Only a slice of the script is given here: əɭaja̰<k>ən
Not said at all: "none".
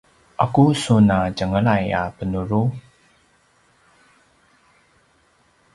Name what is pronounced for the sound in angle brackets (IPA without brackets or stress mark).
p